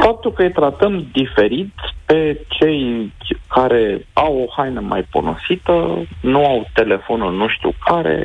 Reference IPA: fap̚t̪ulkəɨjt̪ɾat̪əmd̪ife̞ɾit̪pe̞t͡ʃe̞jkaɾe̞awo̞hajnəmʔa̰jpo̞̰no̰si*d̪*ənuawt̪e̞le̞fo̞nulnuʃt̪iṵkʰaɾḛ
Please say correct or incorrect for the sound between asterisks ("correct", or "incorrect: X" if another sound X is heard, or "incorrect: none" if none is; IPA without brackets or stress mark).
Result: incorrect: t̪